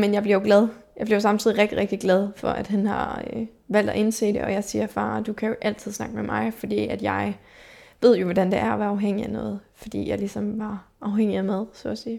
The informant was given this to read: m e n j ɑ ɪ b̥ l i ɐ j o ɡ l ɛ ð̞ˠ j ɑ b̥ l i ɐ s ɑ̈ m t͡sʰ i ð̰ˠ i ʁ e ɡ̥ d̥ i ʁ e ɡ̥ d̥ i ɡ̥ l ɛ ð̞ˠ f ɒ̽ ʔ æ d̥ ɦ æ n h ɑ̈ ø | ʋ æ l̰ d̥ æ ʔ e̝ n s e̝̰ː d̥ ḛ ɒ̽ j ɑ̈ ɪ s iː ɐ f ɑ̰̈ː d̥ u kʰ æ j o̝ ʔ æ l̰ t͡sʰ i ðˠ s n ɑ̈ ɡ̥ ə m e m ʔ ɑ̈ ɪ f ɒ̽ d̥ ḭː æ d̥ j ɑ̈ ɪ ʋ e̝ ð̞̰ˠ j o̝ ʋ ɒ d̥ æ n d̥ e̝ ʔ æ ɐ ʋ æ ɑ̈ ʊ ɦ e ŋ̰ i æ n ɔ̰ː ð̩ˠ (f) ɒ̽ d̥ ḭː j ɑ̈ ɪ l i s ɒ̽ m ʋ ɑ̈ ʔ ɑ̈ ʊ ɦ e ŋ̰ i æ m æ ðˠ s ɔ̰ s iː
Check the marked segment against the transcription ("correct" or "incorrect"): correct